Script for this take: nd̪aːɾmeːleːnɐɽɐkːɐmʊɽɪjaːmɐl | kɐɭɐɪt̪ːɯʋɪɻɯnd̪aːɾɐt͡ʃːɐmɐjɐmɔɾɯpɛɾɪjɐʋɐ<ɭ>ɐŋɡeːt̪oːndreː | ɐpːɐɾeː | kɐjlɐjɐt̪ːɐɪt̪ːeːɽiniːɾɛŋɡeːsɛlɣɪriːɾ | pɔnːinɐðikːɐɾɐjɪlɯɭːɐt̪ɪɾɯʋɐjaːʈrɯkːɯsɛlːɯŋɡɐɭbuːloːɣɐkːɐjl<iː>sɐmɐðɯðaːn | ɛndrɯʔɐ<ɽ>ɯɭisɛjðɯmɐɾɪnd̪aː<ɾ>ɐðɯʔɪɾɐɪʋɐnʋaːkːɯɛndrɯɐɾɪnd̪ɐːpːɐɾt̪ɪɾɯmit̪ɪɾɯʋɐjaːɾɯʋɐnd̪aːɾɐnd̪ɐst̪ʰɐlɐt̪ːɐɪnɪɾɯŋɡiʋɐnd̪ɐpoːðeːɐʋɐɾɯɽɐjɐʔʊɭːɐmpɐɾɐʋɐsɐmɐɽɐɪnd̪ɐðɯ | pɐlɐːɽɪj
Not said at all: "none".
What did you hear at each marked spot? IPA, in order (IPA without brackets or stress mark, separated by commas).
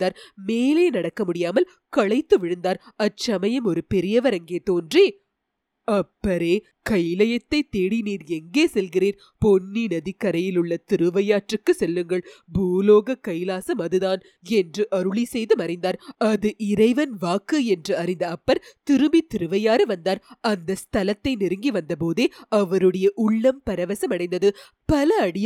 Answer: ɾ, aː, ɾ, ɾ